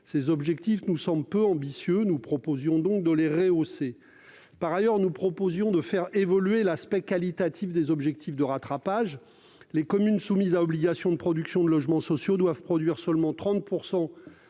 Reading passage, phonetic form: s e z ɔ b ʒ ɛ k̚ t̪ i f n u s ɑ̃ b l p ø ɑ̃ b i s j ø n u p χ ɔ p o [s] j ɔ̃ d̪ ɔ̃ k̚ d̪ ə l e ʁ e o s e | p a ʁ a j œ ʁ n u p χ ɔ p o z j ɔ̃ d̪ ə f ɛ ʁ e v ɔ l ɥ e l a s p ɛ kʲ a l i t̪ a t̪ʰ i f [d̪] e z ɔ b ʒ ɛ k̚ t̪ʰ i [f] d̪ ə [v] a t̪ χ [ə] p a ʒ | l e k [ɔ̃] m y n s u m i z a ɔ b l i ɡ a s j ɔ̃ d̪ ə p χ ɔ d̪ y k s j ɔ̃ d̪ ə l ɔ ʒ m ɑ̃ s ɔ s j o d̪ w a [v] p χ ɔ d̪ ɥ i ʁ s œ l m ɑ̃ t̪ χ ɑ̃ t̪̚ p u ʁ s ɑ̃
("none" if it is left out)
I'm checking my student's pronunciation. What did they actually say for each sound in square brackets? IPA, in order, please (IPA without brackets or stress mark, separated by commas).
z, d̪, f, ʁ, a, ɔ, v